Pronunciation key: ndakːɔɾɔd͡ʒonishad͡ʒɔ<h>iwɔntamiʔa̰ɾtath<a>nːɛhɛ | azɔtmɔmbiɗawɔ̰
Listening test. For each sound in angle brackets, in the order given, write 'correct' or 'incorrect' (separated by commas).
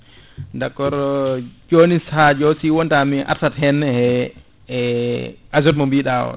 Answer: incorrect, incorrect